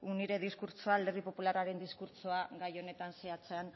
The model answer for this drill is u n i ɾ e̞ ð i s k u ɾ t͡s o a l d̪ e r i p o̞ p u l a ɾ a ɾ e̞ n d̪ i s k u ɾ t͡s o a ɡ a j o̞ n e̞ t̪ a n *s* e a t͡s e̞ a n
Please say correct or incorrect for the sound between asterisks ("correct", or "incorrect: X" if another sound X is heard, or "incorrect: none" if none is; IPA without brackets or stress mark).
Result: correct